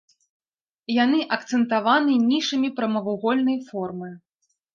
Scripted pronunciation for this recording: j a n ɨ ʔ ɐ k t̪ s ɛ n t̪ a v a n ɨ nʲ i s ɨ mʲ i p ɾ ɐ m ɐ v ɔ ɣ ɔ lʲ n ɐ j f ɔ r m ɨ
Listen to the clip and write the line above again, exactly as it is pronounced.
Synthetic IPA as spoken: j a n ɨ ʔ ɐ k t̪ s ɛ n t̪ a v a n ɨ nʲ i ʂ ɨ mʲ i p ɾ ɐ m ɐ v u ɣ ɔ lʲ n ɐ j f ɔ r m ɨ